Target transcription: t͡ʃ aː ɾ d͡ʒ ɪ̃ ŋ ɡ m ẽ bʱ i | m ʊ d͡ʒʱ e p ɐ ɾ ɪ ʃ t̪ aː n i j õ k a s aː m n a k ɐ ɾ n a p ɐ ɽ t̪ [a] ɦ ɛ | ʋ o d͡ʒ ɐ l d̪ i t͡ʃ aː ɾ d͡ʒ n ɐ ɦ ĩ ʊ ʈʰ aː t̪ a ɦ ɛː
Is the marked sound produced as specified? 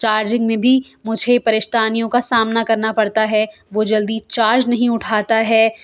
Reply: yes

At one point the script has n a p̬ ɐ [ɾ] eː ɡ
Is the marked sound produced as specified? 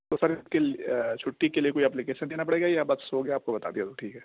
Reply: no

